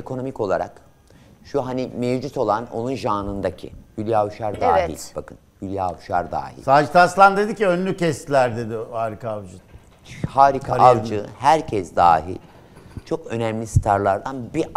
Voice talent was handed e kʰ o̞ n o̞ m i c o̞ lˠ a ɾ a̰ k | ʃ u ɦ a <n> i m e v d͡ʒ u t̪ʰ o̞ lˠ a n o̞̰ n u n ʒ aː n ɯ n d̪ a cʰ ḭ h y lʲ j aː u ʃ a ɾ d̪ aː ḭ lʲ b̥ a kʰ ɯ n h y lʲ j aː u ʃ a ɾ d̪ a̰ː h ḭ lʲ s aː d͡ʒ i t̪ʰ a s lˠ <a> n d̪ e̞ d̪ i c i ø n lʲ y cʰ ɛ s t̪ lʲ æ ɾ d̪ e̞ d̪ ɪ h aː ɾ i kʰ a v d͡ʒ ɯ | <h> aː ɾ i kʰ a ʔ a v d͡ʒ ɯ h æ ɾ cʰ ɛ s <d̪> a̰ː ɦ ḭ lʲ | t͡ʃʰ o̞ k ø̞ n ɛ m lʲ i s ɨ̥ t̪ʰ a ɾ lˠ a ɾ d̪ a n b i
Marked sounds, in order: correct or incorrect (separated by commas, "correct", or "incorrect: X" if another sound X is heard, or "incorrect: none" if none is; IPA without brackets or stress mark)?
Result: correct, correct, correct, correct